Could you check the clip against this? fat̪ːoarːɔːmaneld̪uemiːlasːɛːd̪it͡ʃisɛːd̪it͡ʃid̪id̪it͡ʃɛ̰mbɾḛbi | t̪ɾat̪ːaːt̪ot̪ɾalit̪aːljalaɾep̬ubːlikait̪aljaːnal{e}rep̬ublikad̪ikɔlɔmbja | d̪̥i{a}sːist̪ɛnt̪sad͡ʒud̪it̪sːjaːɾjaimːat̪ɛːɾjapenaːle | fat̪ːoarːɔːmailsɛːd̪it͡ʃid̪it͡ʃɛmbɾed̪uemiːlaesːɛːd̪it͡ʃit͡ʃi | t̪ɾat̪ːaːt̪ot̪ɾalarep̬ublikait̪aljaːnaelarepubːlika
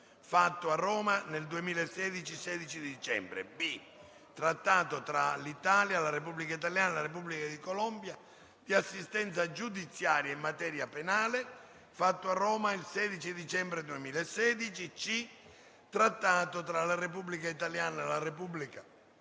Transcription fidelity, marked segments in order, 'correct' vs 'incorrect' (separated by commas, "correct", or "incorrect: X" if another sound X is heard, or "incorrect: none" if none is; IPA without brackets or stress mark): incorrect: a, correct